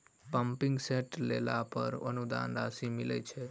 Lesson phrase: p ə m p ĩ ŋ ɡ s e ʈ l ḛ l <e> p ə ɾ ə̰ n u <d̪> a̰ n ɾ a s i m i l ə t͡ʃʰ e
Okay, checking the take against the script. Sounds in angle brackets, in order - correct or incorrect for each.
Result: incorrect, correct

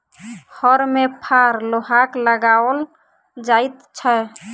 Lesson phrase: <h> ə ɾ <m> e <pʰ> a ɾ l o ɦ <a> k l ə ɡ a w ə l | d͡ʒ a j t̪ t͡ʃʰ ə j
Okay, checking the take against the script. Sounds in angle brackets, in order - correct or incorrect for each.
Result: correct, correct, correct, correct

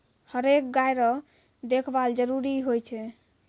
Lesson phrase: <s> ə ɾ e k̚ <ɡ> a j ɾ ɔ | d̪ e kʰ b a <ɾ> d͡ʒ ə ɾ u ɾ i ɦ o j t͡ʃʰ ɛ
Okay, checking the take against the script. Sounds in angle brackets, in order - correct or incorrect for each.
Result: incorrect, correct, incorrect

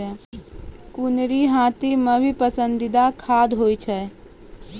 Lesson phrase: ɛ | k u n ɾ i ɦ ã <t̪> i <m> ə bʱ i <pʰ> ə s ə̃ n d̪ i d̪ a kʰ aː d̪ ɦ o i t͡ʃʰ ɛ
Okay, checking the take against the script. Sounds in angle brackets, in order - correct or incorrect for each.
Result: correct, correct, incorrect

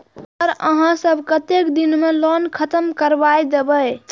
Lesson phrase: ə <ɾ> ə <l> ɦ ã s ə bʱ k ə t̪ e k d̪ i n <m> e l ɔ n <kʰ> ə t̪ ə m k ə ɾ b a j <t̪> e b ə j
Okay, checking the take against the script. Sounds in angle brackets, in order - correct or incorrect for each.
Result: correct, incorrect, correct, correct, incorrect

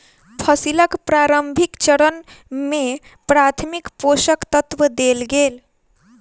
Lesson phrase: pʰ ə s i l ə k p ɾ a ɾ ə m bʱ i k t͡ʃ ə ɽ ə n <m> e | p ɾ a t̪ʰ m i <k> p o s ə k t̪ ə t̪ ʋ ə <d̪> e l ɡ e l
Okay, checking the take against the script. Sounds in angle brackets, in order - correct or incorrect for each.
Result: correct, correct, correct

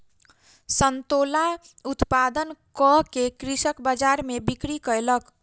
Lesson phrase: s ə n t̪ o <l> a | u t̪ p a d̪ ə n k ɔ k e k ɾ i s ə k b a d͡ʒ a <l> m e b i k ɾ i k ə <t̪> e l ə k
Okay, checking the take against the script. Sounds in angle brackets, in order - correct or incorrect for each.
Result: correct, incorrect, incorrect

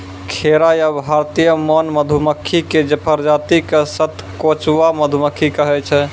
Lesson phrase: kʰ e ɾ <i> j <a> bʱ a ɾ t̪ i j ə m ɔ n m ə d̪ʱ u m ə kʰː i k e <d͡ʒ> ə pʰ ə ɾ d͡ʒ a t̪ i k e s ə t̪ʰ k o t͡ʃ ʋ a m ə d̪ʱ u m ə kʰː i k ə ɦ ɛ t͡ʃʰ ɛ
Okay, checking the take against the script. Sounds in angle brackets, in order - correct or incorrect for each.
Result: incorrect, correct, correct

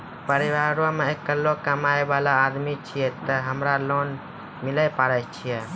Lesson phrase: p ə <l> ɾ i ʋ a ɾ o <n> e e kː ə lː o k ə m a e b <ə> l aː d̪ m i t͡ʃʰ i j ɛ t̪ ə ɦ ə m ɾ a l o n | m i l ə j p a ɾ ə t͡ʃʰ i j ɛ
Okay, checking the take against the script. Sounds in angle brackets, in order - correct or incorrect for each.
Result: incorrect, incorrect, incorrect

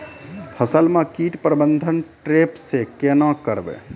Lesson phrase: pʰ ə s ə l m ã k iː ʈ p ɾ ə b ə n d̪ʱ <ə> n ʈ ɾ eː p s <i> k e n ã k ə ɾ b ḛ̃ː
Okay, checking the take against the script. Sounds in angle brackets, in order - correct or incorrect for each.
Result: correct, incorrect

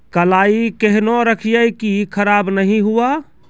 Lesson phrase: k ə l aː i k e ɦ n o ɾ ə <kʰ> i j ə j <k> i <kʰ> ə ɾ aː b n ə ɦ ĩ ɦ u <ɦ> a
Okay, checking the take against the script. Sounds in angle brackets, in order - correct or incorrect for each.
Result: correct, correct, correct, incorrect

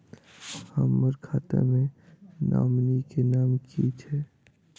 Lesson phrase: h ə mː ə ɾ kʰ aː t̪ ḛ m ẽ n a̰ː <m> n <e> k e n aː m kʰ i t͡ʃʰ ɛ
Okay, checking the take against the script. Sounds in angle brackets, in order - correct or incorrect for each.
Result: correct, incorrect

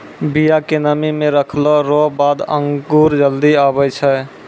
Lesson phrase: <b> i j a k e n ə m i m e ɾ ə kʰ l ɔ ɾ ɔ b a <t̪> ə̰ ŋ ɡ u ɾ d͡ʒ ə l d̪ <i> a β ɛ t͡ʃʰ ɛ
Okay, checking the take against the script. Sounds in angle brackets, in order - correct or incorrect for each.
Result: correct, incorrect, correct

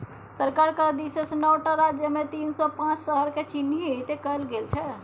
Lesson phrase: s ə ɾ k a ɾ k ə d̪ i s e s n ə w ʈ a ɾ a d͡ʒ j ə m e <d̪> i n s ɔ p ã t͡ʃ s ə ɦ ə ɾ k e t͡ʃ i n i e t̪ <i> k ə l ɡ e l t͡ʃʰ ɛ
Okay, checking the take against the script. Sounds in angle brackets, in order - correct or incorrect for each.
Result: incorrect, incorrect

